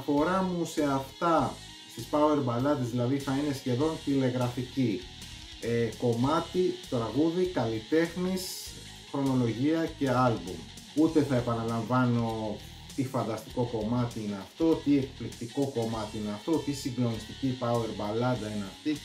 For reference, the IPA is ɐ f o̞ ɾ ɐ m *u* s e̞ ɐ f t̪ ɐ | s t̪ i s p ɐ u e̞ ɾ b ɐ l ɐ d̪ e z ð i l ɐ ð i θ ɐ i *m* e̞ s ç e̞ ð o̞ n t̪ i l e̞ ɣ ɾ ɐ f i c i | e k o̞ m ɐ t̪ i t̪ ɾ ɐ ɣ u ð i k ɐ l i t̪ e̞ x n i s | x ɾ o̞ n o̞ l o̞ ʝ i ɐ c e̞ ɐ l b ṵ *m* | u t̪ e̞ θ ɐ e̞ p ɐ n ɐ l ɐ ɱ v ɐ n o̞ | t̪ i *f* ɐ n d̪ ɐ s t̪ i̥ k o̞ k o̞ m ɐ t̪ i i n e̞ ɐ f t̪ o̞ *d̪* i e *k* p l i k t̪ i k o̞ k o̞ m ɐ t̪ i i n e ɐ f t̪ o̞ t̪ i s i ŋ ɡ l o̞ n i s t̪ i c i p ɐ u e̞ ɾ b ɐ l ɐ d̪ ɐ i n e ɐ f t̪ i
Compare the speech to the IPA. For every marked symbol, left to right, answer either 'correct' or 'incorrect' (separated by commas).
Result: correct, incorrect, correct, correct, incorrect, correct